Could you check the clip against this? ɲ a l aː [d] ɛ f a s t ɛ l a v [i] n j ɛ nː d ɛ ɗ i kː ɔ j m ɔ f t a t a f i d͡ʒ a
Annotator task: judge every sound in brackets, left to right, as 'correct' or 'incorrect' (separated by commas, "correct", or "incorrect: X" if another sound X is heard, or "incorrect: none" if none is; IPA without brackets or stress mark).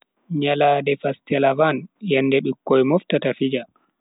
correct, incorrect: a